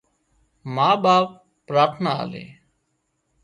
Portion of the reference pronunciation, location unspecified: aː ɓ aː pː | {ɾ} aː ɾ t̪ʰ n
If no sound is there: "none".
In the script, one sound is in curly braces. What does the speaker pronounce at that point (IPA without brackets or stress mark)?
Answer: ɾ